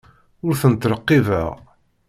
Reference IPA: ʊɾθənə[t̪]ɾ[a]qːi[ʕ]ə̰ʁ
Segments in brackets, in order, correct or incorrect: correct, incorrect, incorrect

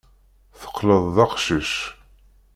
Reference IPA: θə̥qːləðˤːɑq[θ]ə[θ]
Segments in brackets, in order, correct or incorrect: incorrect, incorrect

